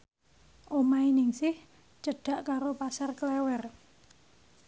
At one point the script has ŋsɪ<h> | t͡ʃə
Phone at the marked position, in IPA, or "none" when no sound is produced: h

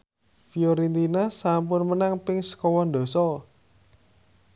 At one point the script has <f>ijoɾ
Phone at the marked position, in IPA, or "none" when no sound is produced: f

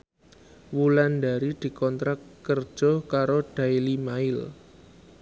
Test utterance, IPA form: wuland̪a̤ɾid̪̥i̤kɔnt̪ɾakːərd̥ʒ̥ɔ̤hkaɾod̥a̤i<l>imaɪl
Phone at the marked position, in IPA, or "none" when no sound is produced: l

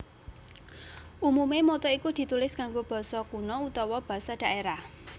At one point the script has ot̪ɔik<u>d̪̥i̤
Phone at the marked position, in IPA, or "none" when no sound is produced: u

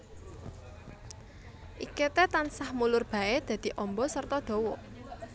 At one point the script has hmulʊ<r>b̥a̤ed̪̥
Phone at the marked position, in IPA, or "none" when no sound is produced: r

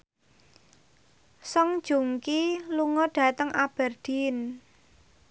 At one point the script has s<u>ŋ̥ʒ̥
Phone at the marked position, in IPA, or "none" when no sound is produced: ɔ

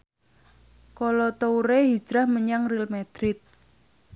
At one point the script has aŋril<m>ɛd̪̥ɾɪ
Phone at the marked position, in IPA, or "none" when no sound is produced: m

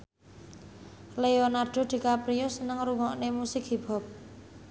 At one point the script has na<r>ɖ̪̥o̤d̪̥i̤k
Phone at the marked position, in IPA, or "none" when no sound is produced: r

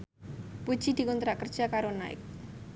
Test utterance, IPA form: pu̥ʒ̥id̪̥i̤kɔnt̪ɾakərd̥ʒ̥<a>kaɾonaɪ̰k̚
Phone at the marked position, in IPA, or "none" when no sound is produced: a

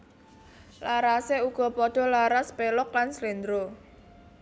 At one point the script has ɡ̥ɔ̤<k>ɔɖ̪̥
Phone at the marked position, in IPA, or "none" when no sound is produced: p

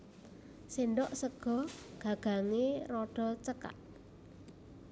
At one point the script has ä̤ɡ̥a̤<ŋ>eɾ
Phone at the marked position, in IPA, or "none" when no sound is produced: ŋ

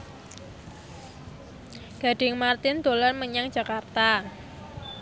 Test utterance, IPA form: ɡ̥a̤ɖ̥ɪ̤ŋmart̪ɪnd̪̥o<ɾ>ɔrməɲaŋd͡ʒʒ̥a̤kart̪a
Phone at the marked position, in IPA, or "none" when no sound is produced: l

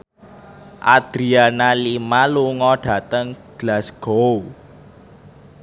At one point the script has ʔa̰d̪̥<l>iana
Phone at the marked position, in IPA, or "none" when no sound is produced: ɾ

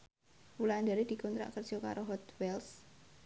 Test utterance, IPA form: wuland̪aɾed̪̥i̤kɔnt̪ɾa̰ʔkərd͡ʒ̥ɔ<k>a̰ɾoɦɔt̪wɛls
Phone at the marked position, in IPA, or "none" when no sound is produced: k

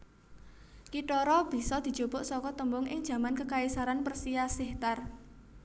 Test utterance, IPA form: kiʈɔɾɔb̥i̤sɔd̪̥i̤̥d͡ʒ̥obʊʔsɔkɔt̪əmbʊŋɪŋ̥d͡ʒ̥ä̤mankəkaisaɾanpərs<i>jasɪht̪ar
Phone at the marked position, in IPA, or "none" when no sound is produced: i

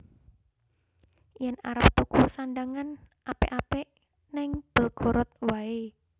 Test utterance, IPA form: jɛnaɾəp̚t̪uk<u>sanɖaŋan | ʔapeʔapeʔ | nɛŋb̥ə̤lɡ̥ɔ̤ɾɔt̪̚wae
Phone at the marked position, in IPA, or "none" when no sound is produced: u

